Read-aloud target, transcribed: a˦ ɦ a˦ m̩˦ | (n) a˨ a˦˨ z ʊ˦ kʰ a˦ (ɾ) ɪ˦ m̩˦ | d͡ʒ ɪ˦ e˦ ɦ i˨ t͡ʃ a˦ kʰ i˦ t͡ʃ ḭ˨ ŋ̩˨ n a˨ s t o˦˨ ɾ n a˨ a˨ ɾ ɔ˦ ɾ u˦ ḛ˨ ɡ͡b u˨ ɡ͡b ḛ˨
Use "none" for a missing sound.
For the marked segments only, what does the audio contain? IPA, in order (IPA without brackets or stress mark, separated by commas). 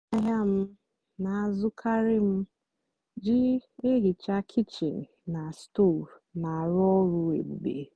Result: n, ɾ